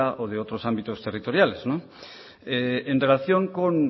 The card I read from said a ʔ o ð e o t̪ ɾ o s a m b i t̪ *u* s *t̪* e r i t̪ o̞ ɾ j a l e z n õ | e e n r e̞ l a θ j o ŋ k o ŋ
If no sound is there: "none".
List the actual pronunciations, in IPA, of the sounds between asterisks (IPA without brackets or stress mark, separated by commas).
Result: o, t̪